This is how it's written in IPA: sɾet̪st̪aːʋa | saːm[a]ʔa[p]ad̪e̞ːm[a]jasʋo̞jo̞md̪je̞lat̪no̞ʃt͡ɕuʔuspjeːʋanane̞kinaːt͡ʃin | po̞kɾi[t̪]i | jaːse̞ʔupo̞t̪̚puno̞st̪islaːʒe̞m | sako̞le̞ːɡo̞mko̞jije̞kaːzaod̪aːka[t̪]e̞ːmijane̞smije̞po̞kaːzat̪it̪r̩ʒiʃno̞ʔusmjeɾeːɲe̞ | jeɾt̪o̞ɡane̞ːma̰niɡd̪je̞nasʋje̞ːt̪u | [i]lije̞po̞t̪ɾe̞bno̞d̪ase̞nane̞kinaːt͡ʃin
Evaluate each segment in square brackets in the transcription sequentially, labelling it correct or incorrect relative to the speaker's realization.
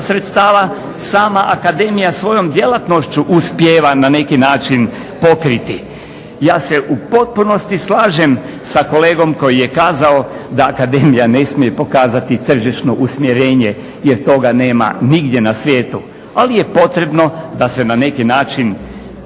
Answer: correct, incorrect: k, incorrect: i, correct, incorrect: d̪, incorrect: a

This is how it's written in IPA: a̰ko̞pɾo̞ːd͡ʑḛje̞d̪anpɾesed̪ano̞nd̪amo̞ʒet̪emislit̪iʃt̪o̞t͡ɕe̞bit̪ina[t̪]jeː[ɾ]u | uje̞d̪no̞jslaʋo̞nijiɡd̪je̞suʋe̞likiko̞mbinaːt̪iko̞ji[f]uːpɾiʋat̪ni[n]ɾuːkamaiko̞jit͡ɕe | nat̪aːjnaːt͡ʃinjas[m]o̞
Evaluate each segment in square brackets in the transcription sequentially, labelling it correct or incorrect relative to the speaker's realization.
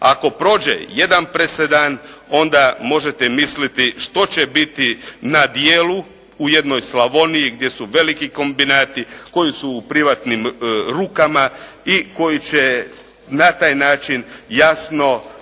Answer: incorrect: d̪, incorrect: l, incorrect: s, incorrect: m, incorrect: n

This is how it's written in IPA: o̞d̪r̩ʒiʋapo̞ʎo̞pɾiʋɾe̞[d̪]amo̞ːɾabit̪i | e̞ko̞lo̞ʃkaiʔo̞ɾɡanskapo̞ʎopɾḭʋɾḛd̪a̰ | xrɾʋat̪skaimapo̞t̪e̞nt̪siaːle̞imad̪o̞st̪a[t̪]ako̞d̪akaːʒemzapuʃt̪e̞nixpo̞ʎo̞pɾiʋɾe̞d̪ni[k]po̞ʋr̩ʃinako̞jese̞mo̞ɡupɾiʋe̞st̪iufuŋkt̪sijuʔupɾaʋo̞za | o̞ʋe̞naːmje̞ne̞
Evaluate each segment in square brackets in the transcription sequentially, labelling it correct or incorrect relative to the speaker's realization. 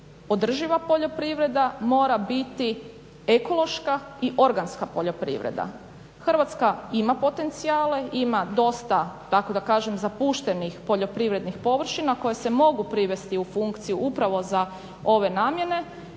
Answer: correct, correct, incorrect: x

